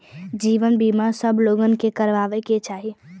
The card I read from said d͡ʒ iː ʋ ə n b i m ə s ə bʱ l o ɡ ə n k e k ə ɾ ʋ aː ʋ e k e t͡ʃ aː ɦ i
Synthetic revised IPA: d͡ʒ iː ʋ ə n b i m a s ə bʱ l o ɡ ə n k e k ə ɾ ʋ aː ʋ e k e t͡ʃ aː ɦ i

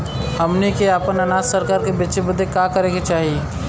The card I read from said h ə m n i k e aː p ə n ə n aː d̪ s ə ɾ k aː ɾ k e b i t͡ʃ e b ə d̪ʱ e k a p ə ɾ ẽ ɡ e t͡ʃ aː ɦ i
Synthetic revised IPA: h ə m n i k e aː p ə n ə n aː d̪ s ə ɾ k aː ɾ k e b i t͡ʃ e b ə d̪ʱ e k a k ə ɾ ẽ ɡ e t͡ʃ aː ɦ i

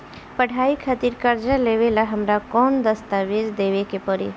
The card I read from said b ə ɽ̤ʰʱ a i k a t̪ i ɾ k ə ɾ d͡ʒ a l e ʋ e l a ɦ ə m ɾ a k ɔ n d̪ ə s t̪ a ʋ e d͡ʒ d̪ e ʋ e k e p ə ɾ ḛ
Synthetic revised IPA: p ə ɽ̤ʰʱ a i kʰ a t̪ i ɾ k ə ɾ d͡ʒ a l e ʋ e l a ɦ ə m ɾ a k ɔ n d̪ ə s t̪ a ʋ e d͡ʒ d̪ e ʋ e k e p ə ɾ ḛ

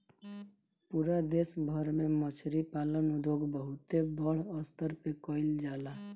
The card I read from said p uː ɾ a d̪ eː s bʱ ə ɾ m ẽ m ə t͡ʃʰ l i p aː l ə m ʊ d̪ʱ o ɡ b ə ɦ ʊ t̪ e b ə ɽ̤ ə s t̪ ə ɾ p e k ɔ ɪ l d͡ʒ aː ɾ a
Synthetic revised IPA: p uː ɾ a d̪ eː s bʱ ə ɾ m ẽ m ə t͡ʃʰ ɾ i p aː l ə n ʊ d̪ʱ o ɡ b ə ɦ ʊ t̪ e b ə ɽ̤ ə s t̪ ə ɾ p e k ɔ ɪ l d͡ʒ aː l a

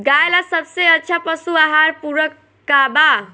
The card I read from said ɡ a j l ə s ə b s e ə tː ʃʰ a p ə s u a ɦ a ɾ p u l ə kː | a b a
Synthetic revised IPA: ɡ a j l a s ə b s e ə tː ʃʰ a p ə s u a ɦ a ɾ p u ɾ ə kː | a b a

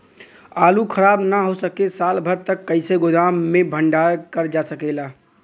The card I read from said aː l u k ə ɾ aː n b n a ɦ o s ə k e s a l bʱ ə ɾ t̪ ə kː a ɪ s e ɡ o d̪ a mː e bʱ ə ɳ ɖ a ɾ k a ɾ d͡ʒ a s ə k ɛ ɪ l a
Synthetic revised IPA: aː l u kʰ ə ɾ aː b n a ɦ o s ə k e s a l bʱ ə ɾ t̪ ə kː ə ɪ s e ɡ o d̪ a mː e bʱ ə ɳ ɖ a ɾ k ə ɾ d͡ʒ a s ə k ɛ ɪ l a

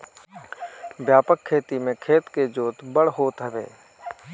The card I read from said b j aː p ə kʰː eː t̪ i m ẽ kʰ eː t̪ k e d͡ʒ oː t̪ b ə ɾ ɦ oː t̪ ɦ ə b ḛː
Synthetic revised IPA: b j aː p ə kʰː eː t̪ i m ẽ kʰ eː t̪ k e d͡ʒ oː t̪ b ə ɽ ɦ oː t̪ ɦ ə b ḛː

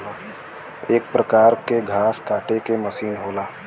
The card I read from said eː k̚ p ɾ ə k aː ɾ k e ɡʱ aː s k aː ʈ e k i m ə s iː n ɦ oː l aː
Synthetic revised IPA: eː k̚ p ɾ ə k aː ɾ k e ɡʱ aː s k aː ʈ e k e m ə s iː n ɦ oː l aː

